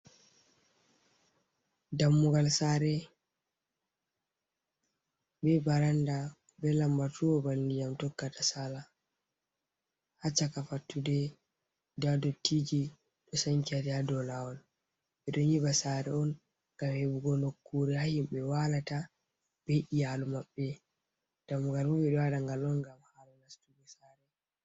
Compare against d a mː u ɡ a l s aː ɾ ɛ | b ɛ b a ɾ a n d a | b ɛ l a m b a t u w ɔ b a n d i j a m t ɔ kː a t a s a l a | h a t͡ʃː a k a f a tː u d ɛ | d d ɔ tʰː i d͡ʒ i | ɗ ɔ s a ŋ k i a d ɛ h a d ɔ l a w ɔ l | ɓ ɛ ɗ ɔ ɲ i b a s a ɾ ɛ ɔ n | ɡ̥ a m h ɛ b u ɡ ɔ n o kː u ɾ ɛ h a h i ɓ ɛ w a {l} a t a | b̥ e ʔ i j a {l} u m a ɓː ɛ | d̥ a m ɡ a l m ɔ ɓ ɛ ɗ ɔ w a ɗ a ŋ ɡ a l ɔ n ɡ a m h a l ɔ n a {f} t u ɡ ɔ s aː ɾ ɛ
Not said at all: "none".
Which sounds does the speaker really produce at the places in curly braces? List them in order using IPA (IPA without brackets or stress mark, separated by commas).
l, l, s